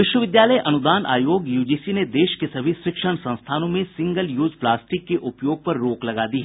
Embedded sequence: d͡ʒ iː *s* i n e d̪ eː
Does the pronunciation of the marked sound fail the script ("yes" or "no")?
no